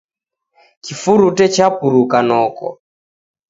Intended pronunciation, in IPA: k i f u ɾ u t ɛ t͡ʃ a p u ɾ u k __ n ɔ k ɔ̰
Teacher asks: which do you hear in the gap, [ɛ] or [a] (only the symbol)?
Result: a